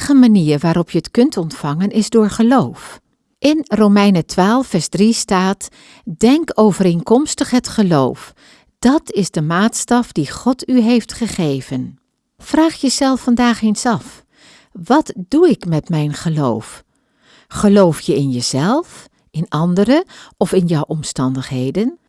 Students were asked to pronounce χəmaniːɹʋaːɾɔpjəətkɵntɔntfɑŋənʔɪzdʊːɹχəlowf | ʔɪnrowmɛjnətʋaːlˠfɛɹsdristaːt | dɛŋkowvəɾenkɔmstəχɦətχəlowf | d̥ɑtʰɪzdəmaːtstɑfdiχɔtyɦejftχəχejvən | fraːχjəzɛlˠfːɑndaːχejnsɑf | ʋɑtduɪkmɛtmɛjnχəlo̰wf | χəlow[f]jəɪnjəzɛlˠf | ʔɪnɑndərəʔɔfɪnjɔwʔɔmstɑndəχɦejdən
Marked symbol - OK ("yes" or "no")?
yes